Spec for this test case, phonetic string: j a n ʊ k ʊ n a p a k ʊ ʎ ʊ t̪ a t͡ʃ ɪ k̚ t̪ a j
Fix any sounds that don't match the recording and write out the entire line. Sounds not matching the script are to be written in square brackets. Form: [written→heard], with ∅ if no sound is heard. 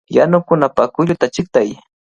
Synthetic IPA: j a n ʊ k ʊ n a p a k ʊ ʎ ʊ t̪ a t͡ʃ ɪ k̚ t̪ a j